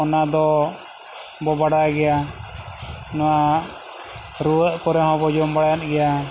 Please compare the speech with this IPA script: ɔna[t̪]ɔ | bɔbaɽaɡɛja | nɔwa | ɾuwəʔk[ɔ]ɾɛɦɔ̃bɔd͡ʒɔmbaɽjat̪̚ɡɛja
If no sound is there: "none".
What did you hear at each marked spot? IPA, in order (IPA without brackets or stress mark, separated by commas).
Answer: d̪, ɔ